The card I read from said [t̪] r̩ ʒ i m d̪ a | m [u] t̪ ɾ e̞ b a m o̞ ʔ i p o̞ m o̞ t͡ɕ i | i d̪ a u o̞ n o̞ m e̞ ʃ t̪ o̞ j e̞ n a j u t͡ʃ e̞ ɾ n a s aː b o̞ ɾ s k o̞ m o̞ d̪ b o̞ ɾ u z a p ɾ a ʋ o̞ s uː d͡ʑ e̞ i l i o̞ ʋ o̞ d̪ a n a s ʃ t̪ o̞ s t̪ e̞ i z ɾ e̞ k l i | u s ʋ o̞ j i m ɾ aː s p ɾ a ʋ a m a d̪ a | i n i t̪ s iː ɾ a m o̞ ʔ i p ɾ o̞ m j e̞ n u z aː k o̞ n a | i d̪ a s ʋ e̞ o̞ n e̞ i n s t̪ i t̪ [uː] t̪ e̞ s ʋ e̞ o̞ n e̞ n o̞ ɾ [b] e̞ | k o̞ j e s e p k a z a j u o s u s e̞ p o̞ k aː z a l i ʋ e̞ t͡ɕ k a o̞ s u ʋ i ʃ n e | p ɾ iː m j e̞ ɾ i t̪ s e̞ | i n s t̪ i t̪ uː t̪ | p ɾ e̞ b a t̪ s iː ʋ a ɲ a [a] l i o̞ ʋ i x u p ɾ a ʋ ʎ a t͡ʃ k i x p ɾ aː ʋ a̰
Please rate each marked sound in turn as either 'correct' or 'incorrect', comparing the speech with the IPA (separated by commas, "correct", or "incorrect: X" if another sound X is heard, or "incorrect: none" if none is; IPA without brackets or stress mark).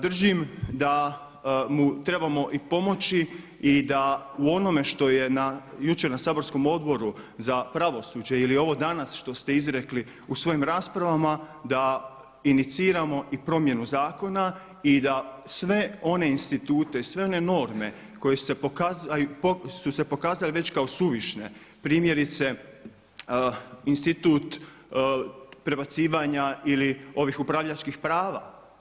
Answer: incorrect: d̪, correct, correct, incorrect: m, incorrect: i